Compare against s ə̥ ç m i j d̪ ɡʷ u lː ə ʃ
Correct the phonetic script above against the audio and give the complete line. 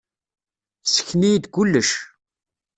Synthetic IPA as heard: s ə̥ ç n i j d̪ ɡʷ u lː ə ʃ

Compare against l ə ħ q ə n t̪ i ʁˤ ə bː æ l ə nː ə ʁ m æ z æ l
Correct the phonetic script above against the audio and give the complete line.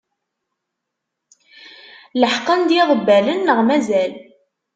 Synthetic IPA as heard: l ə ħ q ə n d̪ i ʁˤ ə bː æ l ə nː ə ʁ m æ z æ l

